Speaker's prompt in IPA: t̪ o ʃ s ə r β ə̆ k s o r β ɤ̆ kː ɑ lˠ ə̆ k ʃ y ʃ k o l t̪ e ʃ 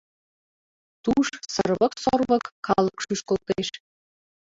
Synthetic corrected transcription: t̪ u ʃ s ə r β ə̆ k s o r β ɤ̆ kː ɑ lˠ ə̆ k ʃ y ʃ k o l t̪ e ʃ